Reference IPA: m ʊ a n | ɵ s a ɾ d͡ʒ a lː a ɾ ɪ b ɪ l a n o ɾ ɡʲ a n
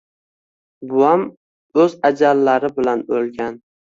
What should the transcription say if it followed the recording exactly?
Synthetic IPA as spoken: b ʊ a m | ɵ z a d͡ʒ a lː a ɾ ɪ b ɪ l a n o l ɡʲ a n